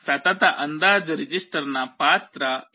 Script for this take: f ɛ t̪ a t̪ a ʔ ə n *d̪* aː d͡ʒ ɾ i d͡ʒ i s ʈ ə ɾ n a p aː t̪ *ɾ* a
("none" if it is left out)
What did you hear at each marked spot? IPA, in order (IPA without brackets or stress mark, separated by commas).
d̪, ɾ